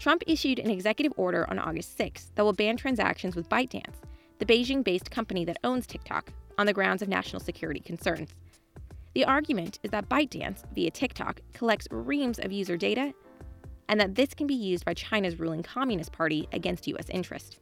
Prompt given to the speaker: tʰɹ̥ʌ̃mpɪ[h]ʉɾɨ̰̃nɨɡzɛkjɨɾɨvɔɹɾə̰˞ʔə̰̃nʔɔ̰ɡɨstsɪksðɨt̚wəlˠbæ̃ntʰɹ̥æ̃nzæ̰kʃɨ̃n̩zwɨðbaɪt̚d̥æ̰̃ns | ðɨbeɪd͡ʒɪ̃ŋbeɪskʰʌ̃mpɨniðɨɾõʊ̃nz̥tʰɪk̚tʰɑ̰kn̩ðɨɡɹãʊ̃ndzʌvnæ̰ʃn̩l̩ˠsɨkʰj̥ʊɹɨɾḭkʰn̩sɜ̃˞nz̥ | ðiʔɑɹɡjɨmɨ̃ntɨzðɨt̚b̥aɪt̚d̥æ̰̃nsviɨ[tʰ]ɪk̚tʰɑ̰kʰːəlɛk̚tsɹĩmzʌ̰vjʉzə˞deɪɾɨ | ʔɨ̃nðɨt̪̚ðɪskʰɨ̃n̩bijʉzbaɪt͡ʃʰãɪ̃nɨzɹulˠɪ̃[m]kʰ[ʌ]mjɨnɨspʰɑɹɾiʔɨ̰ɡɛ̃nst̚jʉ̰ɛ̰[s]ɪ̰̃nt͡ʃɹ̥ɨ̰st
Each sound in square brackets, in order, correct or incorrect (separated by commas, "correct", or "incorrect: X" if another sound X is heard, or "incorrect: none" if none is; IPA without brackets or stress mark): incorrect: ʃ, correct, incorrect: ŋ, incorrect: ɑ, correct